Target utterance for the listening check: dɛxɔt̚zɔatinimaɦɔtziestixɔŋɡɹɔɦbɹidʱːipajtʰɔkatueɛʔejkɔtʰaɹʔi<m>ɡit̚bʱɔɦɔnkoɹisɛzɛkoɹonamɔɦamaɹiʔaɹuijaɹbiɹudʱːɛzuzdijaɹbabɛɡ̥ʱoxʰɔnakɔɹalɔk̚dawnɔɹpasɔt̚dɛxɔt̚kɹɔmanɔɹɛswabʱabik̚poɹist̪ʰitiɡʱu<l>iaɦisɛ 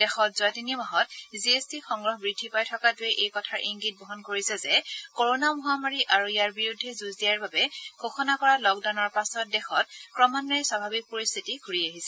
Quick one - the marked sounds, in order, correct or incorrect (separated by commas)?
incorrect, incorrect